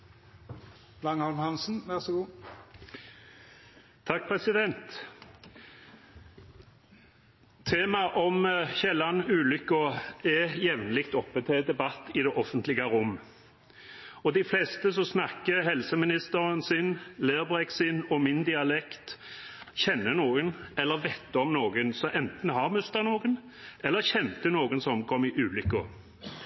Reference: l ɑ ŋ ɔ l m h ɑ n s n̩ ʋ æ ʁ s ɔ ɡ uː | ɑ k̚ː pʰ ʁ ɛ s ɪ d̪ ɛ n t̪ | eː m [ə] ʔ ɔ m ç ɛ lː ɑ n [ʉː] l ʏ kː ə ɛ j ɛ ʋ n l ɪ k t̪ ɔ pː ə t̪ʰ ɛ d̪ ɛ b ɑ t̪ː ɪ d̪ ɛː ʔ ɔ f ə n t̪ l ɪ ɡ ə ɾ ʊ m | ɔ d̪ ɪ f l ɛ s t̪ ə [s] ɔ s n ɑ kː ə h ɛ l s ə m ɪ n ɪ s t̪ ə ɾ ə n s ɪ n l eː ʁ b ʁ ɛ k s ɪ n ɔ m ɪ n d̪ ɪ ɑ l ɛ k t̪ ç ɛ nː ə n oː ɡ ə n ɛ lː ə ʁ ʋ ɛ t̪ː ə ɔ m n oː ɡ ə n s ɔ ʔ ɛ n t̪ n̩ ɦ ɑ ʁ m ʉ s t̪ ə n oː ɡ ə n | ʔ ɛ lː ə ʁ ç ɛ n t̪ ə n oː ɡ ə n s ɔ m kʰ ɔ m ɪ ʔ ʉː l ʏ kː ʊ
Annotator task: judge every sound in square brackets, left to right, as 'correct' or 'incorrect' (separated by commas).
incorrect, correct, correct